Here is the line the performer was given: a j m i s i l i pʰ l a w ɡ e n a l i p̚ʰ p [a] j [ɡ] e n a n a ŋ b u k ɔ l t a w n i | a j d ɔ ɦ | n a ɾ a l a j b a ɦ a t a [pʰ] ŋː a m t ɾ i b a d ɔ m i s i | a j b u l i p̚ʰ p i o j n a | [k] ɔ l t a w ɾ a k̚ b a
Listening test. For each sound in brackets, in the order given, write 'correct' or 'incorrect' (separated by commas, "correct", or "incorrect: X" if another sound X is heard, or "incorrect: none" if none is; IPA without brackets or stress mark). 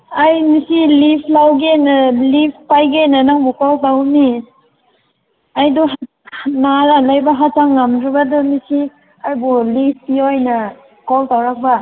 correct, correct, incorrect: none, correct